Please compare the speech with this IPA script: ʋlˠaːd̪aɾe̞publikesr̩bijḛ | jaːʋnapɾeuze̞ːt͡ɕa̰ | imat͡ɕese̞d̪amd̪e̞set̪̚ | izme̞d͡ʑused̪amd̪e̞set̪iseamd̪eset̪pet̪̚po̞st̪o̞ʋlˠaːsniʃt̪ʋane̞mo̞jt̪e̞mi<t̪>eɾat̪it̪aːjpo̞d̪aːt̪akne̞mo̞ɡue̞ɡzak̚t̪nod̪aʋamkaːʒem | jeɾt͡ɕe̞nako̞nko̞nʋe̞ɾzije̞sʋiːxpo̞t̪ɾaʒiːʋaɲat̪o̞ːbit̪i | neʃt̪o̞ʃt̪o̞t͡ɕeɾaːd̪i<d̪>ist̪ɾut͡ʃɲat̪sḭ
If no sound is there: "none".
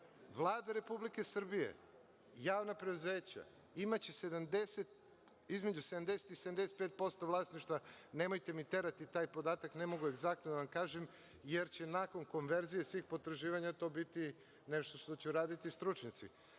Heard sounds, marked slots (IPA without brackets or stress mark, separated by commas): t̪, t̪